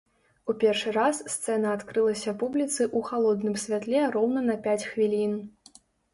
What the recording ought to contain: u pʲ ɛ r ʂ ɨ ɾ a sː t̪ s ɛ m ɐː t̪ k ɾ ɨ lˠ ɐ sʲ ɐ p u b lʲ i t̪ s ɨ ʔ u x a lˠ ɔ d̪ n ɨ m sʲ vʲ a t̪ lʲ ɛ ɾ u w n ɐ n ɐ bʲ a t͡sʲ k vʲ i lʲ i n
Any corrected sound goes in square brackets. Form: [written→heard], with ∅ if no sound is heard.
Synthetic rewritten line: u pʲ ɛ r ʂ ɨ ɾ a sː t̪ s ɛ [m→n] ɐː t̪ k ɾ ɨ lˠ ɐ sʲ ɐ p u b lʲ i t̪ s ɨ ʔ u x a lˠ ɔ d̪ n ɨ m sʲ vʲ a t̪ lʲ ɛ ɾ [u→ɔ] w n ɐ n ɐ [bʲ→pʲ] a t͡sʲ [k→x] vʲ i lʲ i n